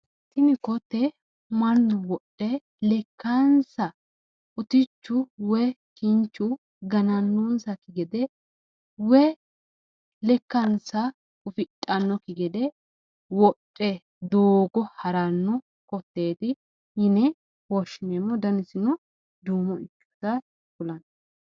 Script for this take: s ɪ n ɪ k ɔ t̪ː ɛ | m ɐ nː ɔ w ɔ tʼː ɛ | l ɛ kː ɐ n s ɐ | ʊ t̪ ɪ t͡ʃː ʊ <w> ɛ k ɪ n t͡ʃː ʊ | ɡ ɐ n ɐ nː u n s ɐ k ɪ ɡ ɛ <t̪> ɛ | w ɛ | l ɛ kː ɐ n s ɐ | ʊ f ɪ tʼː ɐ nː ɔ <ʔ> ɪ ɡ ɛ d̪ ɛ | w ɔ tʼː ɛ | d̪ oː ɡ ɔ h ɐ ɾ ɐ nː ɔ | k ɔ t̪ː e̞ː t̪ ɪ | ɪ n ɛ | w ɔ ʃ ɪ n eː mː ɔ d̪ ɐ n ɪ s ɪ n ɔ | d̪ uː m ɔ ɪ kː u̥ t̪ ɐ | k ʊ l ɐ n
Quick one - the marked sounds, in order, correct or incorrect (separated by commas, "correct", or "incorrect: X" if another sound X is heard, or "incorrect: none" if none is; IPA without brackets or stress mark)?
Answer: correct, incorrect: d̪, incorrect: k